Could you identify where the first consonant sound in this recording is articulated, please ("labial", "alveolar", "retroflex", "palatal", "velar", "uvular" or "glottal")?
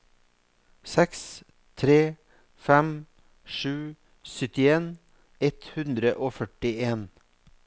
alveolar